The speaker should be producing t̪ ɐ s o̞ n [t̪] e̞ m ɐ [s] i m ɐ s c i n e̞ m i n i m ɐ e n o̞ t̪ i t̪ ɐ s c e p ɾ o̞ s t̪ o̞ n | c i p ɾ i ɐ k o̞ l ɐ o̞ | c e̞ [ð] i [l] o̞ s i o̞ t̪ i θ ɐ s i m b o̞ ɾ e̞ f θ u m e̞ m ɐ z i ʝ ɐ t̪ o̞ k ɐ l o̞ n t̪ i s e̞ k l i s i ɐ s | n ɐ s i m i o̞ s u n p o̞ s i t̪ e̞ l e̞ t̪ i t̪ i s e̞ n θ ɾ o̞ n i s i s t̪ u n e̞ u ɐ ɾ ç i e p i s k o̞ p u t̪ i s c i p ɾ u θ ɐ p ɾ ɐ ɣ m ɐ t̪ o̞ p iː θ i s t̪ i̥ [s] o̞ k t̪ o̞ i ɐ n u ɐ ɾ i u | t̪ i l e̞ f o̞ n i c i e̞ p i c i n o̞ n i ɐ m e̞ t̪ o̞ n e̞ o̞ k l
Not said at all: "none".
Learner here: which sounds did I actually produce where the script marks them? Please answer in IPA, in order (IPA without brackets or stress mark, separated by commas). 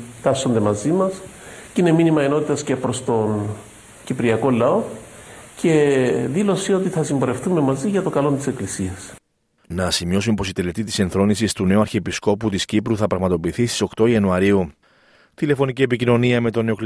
d̪, z, ð, l, s